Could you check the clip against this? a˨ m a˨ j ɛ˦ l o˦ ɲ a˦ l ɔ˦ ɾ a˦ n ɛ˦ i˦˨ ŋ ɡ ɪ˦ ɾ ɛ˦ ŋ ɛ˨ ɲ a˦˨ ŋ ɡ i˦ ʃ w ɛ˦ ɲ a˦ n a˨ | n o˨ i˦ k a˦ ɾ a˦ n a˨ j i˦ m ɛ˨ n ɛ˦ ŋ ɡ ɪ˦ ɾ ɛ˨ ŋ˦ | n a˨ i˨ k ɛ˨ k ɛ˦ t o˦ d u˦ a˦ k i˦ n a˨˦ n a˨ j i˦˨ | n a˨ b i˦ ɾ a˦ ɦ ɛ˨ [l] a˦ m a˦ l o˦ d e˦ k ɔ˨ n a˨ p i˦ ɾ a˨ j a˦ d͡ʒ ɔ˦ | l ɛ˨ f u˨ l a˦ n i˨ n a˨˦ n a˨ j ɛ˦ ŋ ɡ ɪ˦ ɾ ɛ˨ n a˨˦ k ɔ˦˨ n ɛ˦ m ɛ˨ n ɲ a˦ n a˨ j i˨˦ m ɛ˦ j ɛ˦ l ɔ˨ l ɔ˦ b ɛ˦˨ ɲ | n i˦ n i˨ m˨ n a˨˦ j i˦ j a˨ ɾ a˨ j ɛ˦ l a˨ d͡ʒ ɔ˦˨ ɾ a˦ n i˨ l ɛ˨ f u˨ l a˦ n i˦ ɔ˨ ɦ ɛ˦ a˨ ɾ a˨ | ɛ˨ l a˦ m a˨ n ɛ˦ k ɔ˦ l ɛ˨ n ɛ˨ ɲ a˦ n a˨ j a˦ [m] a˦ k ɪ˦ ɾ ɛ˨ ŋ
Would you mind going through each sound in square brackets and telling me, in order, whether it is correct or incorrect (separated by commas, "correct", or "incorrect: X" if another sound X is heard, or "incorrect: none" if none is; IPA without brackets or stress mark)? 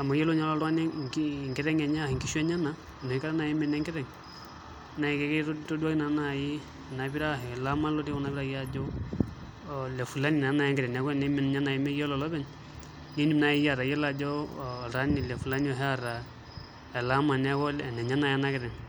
correct, incorrect: n